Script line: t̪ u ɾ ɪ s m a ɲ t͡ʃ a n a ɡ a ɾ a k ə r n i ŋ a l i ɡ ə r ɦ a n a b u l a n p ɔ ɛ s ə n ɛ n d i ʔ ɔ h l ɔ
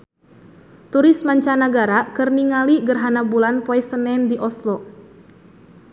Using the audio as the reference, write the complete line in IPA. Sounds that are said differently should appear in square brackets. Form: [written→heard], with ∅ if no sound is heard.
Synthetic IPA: t̪ u ɾ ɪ s m a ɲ t͡ʃ a n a ɡ a ɾ a k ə r n i ŋ a l i ɡ ə r ɦ a n a b u l a n p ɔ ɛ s ə n ɛ n d i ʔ ɔ [h→s] l ɔ